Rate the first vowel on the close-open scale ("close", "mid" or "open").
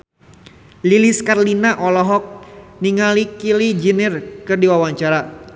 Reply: close